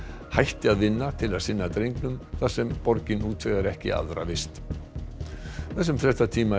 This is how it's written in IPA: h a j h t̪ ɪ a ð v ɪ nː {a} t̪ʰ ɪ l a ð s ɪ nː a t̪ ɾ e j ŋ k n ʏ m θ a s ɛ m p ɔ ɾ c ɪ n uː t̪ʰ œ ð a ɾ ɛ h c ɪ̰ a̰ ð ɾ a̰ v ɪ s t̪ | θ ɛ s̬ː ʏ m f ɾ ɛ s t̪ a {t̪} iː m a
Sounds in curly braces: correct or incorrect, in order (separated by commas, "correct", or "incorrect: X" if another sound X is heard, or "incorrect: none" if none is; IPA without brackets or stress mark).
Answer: correct, incorrect: t̪ʰ